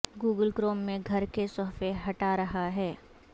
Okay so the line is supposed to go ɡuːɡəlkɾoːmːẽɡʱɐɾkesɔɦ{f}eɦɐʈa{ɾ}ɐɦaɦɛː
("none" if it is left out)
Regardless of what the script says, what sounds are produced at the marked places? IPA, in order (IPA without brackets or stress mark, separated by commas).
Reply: f, ɾ